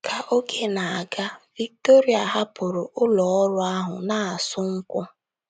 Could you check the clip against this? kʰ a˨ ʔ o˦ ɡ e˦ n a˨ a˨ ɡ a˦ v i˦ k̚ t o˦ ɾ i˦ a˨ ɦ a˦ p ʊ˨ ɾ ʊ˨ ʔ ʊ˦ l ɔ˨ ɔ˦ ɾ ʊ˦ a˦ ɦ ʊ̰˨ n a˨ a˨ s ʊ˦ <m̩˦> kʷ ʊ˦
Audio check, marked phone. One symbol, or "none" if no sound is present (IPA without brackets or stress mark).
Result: ŋ̩˦